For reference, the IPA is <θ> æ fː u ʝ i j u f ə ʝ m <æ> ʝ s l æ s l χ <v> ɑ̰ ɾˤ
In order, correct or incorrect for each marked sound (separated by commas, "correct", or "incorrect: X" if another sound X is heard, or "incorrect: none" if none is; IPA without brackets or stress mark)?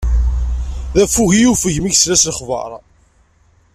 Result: incorrect: ð, incorrect: i, correct